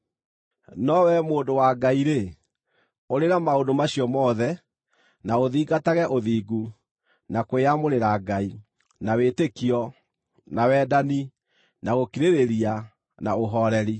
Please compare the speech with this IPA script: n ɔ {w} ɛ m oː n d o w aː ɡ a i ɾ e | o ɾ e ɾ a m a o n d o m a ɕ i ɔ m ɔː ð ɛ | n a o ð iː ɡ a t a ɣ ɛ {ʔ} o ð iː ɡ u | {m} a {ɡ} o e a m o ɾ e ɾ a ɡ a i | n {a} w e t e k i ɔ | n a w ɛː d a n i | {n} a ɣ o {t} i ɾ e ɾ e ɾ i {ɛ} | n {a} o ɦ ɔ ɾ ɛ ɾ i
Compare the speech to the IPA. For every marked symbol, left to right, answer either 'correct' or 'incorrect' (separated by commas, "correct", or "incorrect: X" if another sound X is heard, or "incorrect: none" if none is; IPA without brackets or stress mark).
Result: correct, correct, incorrect: n, incorrect: k, correct, correct, incorrect: k, incorrect: a, correct